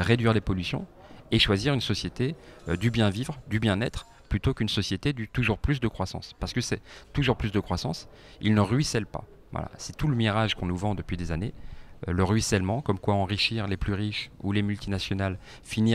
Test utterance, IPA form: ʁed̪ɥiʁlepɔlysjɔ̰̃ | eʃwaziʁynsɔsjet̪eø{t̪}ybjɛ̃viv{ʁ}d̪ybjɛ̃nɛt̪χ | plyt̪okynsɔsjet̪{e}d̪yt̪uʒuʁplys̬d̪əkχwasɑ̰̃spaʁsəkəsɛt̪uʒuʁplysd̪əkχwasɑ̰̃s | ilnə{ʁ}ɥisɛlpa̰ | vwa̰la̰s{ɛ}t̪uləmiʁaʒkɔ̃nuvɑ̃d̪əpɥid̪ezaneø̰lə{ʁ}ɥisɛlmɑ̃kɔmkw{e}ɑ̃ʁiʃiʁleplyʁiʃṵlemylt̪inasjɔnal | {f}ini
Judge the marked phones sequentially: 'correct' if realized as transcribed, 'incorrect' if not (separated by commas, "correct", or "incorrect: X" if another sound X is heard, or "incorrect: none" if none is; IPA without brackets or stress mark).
incorrect: d̪, correct, correct, correct, correct, correct, incorrect: a, correct